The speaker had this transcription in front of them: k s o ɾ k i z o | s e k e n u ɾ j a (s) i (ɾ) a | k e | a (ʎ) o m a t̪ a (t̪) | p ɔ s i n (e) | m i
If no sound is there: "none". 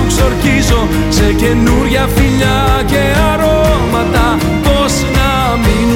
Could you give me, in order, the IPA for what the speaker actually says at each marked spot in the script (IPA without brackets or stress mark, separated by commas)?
f, ʎ, ɾ, none, a